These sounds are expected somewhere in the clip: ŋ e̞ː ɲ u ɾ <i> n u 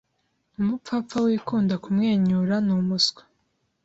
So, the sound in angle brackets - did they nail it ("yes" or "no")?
no